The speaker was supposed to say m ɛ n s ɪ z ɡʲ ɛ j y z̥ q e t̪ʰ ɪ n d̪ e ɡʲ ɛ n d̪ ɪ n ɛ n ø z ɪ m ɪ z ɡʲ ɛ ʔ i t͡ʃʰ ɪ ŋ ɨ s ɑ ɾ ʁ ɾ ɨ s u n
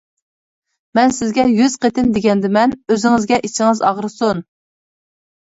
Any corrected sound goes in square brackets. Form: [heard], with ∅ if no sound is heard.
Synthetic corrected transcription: m ɛ n s ɪ z ɡʲ ɛ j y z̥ q e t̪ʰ ɪ n d̪ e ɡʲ ɛ n d̪ ɪ [m] ɛ n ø z ɪ [ŋ] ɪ z ɡʲ ɛ ʔ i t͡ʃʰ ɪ ŋ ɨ [z] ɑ [∅] ʁ ɾ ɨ s u n